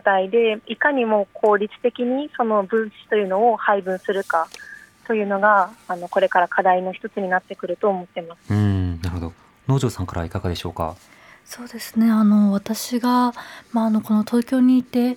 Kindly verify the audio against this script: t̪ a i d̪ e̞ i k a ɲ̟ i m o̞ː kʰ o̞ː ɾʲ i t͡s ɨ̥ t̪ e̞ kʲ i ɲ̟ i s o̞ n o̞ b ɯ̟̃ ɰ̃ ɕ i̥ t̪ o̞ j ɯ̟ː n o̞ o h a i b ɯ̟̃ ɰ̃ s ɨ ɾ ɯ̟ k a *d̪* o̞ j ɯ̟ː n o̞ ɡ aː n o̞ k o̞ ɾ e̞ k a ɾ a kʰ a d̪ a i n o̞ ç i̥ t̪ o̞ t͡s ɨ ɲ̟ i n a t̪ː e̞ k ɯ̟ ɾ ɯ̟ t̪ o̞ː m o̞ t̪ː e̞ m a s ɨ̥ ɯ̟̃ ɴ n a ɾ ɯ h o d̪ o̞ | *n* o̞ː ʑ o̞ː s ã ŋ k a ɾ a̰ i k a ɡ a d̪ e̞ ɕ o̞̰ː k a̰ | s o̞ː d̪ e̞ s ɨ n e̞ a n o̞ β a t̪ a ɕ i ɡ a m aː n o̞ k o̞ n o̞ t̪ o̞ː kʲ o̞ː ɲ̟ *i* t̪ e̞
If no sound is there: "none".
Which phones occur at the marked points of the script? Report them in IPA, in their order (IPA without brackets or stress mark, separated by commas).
t̪, n, iː